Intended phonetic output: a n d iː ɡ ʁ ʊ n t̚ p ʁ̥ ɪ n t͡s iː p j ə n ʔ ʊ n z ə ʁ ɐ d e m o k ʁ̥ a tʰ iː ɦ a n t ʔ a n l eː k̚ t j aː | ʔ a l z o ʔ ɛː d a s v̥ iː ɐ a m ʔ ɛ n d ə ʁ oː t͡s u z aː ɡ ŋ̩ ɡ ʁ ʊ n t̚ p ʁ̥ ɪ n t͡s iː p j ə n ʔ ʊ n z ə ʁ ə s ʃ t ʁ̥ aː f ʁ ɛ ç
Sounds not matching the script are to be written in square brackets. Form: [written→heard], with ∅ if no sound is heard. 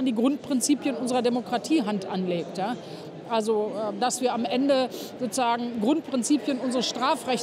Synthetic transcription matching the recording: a n d iː ɡ ʁ ʊ n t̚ p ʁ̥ ɪ n t͡s iː p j ə n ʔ ʊ n z ə ʁ ɐ d e m o k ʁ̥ a tʰ iː ɦ a n t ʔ a n l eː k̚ t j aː | ʔ a l z o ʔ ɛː d a s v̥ iː ɐ a m ʔ ɛ n d ə [ʁ→z] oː t͡s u z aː ɡ ŋ̩ ɡ ʁ ʊ n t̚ p ʁ̥ ɪ n t͡s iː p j ə n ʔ ʊ n z ə ʁ ə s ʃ t ʁ̥ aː f ʁ ɛ ç